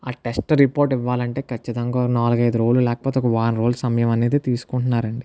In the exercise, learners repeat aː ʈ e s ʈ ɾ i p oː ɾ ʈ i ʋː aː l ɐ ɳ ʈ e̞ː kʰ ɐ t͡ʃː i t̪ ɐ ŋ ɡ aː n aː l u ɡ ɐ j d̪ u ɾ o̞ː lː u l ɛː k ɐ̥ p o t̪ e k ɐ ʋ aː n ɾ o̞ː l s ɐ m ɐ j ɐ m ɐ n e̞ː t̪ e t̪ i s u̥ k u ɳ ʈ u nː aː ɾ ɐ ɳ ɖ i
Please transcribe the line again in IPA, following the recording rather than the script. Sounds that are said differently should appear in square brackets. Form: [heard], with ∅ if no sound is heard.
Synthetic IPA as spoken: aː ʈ e s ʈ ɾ i p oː ɾ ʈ i ʋː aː l ɐ ɳ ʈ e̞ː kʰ ɐ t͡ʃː i t̪ ɐ ŋ ɡ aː n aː l u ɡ ɐ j d̪ u ɾ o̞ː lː u l ɛː k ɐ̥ p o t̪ e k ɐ ʋ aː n ɾ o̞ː l s ɐ m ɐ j ɐ m ɐ n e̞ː [d̪] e t̪ [iː] s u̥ k u ɳ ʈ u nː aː ɾ ɐ ɳ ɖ i